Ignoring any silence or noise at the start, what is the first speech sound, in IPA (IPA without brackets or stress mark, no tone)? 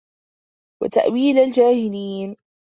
w